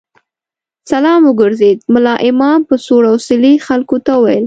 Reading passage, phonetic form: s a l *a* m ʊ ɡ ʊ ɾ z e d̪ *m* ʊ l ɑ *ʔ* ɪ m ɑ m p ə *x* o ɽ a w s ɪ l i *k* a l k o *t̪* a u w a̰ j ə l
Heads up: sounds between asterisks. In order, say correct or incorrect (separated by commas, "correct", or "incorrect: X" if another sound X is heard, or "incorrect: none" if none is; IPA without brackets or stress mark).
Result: incorrect: ɑ, correct, correct, incorrect: s, incorrect: x, correct